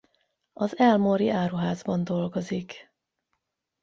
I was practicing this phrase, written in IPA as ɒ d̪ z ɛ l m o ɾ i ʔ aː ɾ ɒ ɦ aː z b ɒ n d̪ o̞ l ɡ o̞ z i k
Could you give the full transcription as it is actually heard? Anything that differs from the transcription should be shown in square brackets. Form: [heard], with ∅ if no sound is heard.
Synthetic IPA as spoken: ɒ [∅] z ɛ l m o ɾ i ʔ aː ɾ [u] ɦ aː z b ɒ n d̪ o̞ l ɡ o̞ z i k